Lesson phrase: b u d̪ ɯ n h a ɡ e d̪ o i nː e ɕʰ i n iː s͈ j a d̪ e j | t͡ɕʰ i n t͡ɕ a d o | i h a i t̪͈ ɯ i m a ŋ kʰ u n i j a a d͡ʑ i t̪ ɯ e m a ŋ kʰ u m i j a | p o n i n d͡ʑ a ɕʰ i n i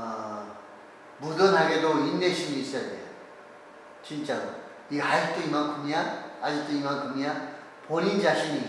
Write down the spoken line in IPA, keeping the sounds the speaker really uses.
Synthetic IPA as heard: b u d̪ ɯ n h a ɡ e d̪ o i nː e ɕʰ i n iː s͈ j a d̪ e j | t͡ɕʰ i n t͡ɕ a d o | i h a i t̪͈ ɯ i m a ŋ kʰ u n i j a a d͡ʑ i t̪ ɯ i m a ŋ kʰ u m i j a | p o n i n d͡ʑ a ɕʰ i n i